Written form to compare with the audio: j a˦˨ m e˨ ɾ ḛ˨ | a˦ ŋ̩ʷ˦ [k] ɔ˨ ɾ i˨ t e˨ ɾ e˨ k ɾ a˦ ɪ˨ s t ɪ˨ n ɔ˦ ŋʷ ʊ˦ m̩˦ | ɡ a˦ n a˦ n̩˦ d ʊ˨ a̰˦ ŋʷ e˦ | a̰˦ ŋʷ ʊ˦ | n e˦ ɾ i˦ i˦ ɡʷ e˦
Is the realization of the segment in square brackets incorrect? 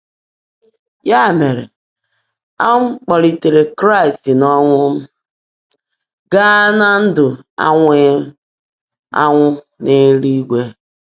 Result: yes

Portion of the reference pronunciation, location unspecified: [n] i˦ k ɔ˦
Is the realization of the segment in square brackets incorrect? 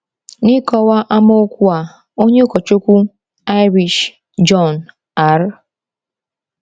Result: no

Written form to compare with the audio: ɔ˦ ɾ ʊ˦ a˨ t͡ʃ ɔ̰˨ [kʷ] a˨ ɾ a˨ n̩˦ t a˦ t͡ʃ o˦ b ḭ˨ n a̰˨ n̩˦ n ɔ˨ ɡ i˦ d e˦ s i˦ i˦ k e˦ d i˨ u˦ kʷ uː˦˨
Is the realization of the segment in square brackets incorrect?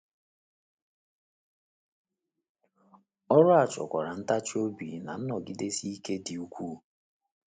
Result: no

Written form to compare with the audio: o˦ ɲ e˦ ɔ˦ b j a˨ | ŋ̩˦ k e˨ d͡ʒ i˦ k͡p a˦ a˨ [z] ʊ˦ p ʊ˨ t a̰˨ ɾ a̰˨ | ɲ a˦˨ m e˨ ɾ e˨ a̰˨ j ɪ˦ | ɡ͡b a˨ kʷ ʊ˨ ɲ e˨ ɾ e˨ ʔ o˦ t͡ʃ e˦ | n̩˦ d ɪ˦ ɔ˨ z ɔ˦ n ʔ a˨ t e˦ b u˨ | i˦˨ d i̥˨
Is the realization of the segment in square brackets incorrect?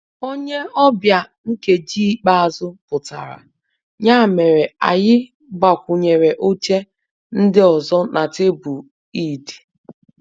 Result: no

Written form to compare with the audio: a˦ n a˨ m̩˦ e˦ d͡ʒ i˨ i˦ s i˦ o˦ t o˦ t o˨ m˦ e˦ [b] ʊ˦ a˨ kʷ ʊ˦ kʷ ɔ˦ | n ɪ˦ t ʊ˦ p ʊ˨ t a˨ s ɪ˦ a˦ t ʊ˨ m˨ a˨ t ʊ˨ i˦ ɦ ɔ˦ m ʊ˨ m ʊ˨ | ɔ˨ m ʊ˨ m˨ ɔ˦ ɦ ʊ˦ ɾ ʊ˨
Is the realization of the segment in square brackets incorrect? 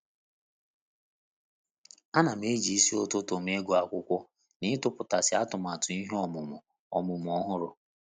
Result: yes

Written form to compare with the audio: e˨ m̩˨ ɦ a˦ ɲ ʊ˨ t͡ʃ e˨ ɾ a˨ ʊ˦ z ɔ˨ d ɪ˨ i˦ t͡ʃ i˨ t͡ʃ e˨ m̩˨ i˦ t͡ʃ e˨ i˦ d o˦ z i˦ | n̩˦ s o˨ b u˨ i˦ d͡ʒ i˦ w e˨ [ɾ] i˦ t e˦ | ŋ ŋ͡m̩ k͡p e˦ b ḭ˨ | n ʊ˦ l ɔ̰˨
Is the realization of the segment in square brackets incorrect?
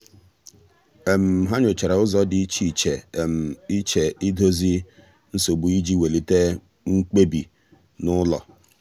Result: yes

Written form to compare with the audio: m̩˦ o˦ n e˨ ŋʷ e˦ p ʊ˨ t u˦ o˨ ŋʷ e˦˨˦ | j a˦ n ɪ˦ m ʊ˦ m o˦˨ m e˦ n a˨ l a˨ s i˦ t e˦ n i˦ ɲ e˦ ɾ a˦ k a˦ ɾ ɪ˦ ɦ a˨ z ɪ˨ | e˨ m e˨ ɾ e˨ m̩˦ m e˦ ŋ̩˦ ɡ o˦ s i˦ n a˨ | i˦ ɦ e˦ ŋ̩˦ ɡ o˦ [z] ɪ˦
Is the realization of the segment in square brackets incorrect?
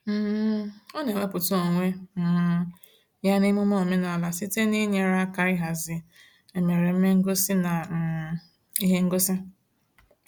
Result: yes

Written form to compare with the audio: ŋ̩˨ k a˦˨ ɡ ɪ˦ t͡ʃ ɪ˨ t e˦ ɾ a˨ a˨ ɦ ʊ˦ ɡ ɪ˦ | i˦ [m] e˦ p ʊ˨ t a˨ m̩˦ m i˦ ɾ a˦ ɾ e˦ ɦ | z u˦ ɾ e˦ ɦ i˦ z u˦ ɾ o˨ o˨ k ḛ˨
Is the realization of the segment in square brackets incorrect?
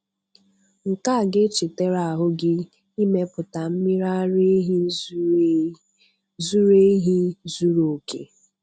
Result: no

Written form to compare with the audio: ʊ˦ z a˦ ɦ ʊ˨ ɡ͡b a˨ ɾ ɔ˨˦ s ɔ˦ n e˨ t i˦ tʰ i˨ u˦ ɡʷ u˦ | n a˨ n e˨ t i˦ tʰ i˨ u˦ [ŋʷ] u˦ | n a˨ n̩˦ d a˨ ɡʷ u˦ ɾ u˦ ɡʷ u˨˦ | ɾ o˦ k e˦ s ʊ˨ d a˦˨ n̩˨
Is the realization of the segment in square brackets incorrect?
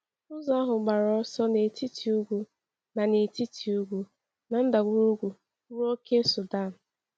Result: yes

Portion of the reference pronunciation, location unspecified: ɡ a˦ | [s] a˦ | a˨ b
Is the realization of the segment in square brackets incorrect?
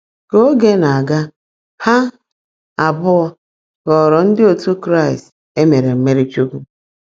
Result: yes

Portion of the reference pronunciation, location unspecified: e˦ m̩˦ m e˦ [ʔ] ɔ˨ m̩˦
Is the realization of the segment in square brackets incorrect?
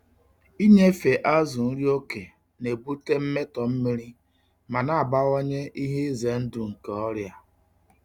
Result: yes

